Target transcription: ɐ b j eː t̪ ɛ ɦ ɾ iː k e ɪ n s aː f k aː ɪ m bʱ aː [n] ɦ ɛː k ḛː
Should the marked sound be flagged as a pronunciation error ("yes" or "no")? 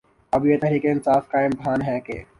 no